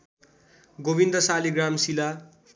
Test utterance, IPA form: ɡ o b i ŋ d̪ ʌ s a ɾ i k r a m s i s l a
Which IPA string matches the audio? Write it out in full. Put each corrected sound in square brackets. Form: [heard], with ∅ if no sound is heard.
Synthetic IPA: ɡ o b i [n] d̪ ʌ s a [l] i [ɡ] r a m s i [∅] l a